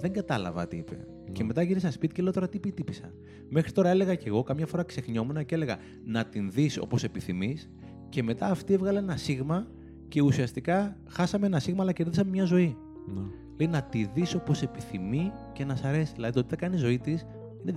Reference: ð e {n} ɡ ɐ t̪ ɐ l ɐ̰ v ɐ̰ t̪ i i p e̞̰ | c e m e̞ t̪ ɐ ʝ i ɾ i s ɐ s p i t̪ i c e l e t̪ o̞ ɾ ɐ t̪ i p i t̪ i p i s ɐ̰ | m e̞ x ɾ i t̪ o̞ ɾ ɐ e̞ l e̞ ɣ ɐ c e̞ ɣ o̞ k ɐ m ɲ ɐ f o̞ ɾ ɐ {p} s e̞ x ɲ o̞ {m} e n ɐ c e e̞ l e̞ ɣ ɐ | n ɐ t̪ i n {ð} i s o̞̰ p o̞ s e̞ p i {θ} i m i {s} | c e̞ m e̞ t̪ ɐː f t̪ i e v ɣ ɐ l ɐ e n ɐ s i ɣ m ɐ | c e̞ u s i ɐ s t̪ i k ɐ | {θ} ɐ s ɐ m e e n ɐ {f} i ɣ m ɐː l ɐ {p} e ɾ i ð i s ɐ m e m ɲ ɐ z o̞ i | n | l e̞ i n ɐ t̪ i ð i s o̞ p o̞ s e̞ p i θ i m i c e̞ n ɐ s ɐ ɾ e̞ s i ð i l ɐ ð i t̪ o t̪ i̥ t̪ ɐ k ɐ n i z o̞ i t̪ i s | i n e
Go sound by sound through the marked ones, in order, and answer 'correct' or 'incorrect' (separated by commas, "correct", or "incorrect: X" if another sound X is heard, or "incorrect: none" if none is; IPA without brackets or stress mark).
incorrect: ŋ, incorrect: k, correct, correct, correct, correct, incorrect: x, incorrect: s, incorrect: c